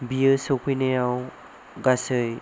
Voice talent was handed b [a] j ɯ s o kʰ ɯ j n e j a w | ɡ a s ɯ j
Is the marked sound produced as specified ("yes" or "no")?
no